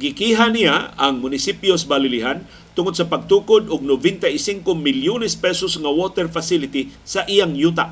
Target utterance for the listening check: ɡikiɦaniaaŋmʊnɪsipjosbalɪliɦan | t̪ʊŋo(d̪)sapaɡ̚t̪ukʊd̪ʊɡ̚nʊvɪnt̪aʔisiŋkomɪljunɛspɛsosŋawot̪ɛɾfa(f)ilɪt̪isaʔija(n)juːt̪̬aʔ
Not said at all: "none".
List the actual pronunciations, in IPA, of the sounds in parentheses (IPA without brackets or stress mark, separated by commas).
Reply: d̪, s, ŋ